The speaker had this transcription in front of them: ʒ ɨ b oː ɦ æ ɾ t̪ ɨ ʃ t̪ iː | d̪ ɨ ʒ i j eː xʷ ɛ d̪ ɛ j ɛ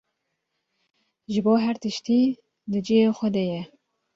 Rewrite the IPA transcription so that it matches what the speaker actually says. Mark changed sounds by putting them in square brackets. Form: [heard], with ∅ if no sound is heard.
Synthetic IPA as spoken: ʒ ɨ b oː ɦ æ ɾ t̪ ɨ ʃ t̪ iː | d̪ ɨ [d͡ʒ] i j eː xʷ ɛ d̪ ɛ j ɛ